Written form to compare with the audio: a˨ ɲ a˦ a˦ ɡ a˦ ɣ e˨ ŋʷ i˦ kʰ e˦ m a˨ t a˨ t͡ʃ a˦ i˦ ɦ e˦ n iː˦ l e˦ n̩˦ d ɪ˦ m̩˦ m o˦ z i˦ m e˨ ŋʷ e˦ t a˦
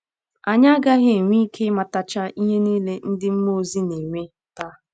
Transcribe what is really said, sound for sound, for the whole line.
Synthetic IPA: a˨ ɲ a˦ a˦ ɡ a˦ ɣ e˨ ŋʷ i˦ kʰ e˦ m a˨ t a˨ t͡ʃ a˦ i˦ ɦ e˦ n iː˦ l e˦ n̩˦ d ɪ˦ m̩˦ m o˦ z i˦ n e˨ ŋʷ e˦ t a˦